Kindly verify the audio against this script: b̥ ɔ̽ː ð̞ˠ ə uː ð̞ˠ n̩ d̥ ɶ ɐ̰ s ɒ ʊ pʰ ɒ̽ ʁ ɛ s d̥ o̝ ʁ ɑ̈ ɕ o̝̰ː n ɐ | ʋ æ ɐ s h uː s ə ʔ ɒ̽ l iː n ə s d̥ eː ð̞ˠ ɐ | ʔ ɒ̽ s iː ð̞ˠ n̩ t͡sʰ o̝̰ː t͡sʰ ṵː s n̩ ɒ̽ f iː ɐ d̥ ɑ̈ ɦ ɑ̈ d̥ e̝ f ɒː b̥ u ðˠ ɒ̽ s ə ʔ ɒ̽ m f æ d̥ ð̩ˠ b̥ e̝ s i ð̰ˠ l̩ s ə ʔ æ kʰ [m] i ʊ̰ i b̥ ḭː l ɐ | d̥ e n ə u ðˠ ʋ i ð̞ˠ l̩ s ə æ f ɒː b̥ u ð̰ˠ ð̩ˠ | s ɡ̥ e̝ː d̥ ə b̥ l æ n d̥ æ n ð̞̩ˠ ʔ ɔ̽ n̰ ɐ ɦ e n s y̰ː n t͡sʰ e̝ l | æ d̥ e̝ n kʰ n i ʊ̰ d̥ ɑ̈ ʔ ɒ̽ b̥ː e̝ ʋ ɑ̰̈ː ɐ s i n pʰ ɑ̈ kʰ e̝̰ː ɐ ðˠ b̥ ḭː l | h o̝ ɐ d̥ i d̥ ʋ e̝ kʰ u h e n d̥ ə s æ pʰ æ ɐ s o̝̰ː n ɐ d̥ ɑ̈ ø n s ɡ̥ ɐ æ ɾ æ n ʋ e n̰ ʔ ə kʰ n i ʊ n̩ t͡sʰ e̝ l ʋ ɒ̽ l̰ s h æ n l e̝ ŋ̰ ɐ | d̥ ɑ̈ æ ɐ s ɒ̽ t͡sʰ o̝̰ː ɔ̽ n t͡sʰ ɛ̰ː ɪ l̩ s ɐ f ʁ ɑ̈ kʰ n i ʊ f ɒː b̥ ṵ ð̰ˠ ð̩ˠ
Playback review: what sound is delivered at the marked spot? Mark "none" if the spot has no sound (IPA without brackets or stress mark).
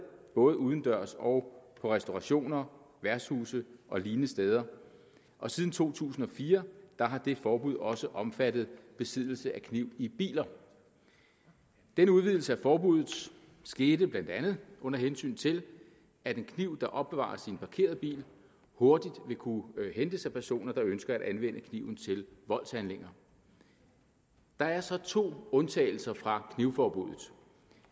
n